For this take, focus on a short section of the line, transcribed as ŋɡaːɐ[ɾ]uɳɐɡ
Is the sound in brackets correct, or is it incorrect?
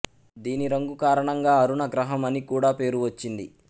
correct